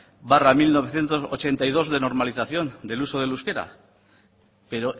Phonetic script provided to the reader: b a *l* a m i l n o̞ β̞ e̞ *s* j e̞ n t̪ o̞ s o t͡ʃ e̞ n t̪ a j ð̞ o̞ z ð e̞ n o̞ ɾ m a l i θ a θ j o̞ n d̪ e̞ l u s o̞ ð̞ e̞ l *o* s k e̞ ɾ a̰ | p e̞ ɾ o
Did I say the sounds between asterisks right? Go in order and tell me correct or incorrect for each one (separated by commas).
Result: incorrect, incorrect, incorrect